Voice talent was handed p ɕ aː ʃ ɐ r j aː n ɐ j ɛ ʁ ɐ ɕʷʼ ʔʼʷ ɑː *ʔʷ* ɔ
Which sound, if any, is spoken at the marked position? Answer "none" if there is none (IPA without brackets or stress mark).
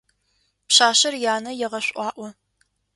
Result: ʔʷ